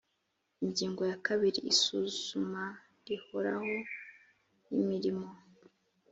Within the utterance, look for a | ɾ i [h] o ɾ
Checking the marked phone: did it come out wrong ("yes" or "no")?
no